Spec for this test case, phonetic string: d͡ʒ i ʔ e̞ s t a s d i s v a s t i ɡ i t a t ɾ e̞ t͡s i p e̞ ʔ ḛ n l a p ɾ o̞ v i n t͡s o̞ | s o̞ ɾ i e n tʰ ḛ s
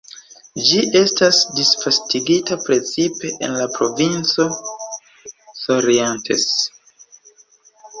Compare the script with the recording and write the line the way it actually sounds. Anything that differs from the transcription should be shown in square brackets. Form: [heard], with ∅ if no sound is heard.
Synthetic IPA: d͡ʒ i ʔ e̞ s t a s d i s [f] a s t i ɡ i t a [p] ɾ e̞ t͡s i p e̞ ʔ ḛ n l a p ɾ o̞ v i n t͡s o̞ | s o̞ ɾ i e n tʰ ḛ s